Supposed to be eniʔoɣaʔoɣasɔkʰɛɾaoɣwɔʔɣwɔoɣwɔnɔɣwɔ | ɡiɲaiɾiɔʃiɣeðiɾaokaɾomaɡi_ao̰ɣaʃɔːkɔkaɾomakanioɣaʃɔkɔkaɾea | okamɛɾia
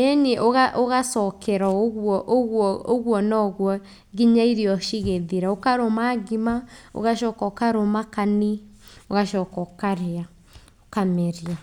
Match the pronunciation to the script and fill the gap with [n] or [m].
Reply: m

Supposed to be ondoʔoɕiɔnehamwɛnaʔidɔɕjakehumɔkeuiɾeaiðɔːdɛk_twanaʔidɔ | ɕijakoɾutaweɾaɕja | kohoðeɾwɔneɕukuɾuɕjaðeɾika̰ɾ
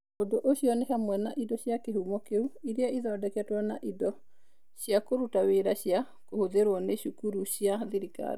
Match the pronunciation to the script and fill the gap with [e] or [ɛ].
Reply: ɛ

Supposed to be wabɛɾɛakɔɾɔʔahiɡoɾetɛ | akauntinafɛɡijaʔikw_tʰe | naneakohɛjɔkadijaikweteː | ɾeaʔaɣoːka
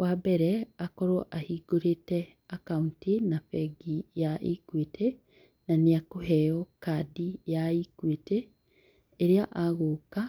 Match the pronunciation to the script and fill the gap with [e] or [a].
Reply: e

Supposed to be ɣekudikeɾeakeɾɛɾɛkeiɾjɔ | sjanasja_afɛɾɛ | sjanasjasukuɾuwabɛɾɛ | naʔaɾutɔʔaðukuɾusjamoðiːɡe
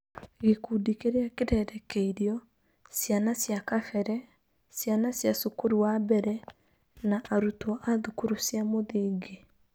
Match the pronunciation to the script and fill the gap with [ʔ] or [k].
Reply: k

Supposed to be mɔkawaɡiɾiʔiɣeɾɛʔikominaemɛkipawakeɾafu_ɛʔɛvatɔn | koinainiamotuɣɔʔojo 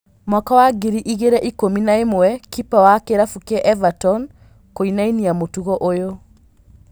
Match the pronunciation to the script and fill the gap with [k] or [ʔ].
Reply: k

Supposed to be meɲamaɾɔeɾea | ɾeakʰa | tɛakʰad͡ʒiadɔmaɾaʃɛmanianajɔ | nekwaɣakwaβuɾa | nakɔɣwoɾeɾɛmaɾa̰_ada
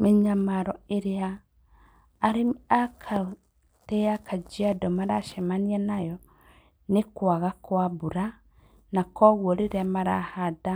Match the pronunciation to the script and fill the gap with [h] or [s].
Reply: h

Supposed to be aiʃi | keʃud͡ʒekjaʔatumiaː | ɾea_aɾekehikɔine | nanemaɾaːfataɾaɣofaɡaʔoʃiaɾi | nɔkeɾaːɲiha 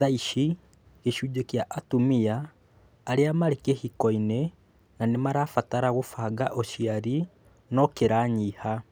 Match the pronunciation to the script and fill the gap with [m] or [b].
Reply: m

